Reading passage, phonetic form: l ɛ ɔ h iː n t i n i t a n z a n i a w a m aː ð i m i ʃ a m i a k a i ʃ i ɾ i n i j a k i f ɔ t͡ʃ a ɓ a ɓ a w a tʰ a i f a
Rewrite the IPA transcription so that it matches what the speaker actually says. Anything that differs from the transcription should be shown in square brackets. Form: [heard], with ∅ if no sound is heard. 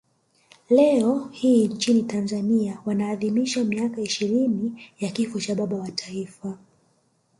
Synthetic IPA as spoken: l ɛ ɔ h iː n [t͡ʃ] i n i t a n z a n i a w a [n] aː ð i m i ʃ a m i a k a i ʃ i ɾ i n i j a k i f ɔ t͡ʃ a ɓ a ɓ a w a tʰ a i f a